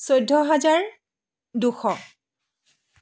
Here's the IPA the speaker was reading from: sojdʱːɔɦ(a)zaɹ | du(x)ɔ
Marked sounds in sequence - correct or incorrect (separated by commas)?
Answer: correct, correct